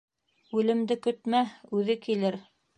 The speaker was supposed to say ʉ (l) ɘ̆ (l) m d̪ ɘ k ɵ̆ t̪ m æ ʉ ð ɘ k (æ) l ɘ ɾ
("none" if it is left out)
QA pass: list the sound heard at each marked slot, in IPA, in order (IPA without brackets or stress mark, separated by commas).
l, none, i